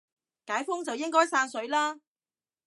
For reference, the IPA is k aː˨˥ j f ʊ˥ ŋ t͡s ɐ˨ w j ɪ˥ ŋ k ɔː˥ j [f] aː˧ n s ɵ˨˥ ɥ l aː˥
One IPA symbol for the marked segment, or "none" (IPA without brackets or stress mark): s